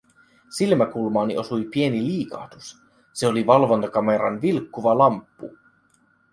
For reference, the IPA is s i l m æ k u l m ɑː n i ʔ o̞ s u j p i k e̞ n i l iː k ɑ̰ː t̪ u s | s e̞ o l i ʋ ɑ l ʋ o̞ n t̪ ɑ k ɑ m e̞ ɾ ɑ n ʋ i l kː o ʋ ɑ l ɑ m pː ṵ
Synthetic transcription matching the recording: s i l m æ k u l m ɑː n i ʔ o̞ s u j p i e̞ n i l iː k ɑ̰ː t̪ u s | s e̞ o l i ʋ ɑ l ʋ o̞ n t̪ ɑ k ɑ m e̞ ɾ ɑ n ʋ i l kː u ʋ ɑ l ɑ m pː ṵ